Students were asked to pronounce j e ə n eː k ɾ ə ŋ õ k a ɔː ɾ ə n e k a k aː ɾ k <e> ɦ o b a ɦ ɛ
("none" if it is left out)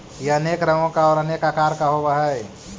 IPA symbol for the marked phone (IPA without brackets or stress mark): a